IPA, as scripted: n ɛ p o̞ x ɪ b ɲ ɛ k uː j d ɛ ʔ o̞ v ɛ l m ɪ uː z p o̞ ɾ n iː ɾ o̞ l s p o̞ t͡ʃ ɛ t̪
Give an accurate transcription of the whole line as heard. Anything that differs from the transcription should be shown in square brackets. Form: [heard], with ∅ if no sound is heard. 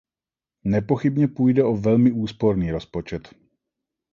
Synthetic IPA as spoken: n ɛ p o̞ x ɪ b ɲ ɛ [p] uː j d ɛ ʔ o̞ v ɛ l m ɪ uː [s] p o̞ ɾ n iː ɾ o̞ [∅] s p o̞ t͡ʃ ɛ t̪